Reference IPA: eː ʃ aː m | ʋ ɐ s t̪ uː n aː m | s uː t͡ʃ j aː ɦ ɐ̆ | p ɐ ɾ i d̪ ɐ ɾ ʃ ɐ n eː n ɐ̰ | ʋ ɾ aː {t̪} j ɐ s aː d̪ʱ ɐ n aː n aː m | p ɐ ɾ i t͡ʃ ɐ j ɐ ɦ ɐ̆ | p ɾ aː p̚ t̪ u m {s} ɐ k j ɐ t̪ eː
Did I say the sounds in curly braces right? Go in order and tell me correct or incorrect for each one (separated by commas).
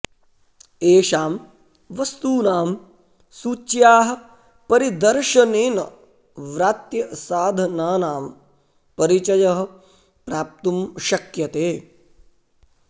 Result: correct, incorrect